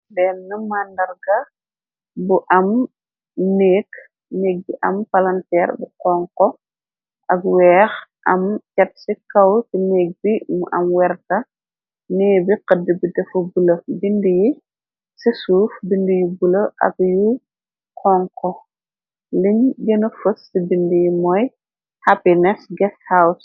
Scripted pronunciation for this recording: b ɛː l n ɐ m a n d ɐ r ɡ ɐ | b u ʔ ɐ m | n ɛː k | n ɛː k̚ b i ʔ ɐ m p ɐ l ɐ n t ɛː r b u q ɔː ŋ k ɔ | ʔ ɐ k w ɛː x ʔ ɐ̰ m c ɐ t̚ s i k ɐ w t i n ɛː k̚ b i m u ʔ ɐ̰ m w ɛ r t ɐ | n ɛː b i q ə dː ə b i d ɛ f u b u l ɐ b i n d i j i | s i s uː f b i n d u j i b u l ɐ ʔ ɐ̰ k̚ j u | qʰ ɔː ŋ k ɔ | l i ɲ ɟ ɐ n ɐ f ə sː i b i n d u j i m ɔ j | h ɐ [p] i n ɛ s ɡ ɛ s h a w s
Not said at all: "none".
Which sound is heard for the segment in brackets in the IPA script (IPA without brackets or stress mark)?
p